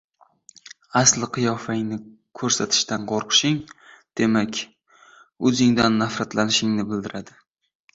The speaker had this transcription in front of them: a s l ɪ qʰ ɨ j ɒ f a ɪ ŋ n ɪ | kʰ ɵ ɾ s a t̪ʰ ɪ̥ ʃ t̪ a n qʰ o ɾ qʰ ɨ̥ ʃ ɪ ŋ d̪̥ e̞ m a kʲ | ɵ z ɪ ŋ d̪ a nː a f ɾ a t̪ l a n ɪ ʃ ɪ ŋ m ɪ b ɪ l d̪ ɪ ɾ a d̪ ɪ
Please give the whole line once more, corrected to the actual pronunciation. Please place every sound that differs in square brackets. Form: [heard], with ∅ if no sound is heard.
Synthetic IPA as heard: a s l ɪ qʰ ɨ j ɒ f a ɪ ŋ n ɪ | kʰ ɵ ɾ s a t̪ʰ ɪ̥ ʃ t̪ a n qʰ o ɾ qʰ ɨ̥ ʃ ɪ ŋ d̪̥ e̞ m a kʲ | ɵ z ɪ ŋ d̪ a nː a f ɾ a t̪ l a n ɪ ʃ ɪ ŋ [n] ɪ b ɪ l d̪ ɪ ɾ a d̪ ɪ